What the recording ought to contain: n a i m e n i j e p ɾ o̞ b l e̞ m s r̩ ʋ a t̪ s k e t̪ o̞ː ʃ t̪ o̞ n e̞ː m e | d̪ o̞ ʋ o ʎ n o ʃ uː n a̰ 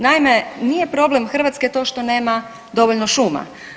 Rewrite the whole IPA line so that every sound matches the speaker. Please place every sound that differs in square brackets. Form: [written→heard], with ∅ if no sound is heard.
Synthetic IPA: n a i m e n i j e p ɾ o̞ b l e̞ m [s→x] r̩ ʋ a t̪ s k e t̪ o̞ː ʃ t̪ o̞ n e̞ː m [e→a] | d̪ o̞ ʋ o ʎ n o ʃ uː [n→m] a̰